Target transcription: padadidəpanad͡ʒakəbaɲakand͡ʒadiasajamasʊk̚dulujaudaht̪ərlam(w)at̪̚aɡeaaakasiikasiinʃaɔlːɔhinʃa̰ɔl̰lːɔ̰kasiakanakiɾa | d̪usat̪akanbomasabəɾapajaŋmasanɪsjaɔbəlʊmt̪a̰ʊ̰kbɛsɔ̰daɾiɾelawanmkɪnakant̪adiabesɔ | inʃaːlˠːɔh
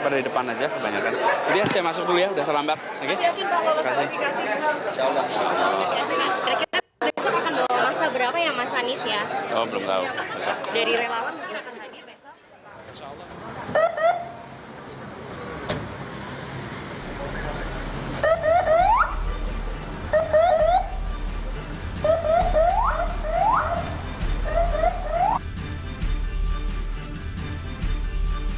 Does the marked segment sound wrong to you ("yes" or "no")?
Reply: yes